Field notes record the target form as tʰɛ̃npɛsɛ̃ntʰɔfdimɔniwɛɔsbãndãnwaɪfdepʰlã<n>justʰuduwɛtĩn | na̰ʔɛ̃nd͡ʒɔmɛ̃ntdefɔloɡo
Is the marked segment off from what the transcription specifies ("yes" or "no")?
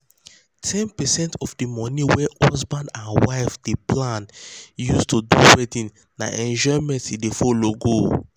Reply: no